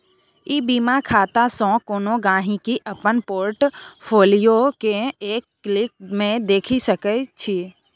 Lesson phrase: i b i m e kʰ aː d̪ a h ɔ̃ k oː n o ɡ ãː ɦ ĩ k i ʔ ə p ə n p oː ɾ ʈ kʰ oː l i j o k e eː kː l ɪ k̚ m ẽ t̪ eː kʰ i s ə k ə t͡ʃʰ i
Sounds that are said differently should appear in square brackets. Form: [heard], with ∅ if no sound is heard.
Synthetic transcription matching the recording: i b i m [a] kʰ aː [t̪] a [s] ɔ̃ k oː n o ɡ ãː ɦ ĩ k i ʔ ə p ə n p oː ɾ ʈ [pʰ] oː l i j o k e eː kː l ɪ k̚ m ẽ [d̪] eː kʰ i s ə k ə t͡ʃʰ i

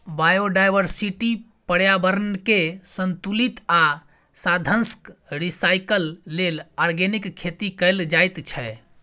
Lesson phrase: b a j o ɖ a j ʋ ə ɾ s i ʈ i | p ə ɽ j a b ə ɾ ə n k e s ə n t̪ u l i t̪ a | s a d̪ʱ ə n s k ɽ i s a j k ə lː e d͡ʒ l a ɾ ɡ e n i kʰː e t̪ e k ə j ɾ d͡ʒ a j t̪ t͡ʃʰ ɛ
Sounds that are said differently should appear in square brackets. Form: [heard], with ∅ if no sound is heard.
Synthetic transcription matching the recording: b a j o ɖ a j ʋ ə ɾ s i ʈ i | p ə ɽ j a b ə ɾ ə n k e s ə n t̪ u l i t̪ a | s a d̪ʱ ə n s k [ɾ] i s a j k ə lː e [∅] l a ɾ ɡ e n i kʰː e t̪ [i] k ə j [l] d͡ʒ a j t̪ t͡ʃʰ ɛ

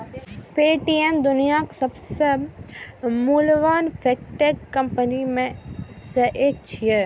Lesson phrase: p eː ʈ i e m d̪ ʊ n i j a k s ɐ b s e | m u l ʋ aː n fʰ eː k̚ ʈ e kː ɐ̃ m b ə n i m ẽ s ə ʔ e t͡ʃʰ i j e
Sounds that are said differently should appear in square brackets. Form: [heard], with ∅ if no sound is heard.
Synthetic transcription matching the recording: p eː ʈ i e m d̪ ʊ n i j a k s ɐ b s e | m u l ʋ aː n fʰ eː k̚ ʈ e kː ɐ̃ m [p] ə n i m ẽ s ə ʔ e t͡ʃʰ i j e

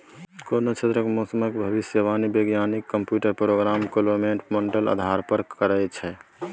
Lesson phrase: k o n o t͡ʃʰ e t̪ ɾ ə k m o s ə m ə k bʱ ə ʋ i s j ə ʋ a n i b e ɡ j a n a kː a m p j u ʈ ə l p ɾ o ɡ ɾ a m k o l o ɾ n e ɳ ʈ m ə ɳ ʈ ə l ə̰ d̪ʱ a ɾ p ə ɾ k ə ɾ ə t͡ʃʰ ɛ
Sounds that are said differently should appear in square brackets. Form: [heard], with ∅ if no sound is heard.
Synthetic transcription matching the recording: k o n o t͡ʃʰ e t̪ ɾ ə k m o s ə m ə k bʱ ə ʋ i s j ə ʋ a n i b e ɡ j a n [i] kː [ə] m p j u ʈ ə [ɾ] p ɾ o ɡ ɾ a m k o l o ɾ [m] e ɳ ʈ m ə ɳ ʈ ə l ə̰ d̪ʱ a ɾ p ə ɾ k ə ɾ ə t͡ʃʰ ɛ

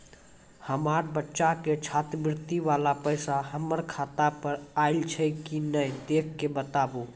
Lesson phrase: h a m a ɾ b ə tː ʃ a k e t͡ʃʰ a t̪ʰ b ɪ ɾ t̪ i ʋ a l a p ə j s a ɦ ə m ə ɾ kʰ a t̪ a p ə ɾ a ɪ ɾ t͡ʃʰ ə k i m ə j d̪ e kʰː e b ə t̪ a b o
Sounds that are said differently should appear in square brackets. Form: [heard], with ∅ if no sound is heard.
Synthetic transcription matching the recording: h [ə] m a ɾ b ə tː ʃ a k e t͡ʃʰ a [t̪] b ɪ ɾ t̪ i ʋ a l a p ə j s a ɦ ə m ə ɾ kʰ a t̪ a p ə ɾ a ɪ [l] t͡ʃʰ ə k i [n] ə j d̪ e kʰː e b ə t̪ a b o

